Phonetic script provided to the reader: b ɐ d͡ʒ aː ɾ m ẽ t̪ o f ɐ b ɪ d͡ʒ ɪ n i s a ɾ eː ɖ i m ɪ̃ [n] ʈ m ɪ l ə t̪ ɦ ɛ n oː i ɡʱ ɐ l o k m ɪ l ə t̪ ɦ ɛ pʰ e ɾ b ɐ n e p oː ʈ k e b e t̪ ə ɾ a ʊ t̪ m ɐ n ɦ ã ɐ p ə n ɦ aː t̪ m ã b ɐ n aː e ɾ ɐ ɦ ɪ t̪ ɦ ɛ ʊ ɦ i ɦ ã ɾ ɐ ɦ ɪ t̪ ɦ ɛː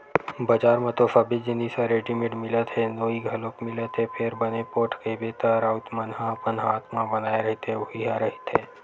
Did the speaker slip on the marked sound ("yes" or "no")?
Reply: yes